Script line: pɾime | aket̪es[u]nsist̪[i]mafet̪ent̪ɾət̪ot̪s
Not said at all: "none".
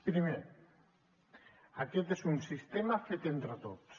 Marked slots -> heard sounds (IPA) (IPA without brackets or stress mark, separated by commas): u, e